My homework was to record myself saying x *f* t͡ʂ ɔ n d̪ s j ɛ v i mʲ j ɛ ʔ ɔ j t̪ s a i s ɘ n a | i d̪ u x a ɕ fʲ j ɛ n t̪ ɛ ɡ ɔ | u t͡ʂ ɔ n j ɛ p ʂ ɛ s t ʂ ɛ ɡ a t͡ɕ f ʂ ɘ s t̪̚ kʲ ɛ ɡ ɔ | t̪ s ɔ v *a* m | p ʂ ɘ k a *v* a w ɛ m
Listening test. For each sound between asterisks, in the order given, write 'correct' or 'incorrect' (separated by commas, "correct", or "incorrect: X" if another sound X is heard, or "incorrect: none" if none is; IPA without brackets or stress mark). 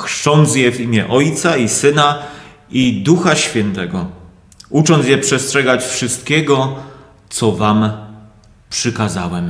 incorrect: ʂ, correct, incorrect: z